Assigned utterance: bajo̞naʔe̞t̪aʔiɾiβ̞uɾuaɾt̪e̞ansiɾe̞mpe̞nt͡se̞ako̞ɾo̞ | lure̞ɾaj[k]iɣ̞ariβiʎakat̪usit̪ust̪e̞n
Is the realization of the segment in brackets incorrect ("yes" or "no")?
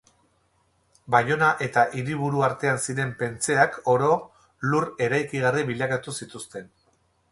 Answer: no